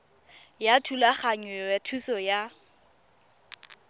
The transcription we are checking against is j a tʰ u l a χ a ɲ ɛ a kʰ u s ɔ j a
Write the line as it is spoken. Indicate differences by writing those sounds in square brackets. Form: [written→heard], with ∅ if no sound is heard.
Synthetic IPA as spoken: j a tʰ u l a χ a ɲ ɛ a [kʰ→tʰ] u s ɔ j a